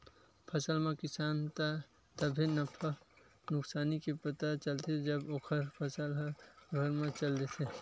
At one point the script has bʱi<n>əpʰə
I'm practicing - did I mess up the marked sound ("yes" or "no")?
no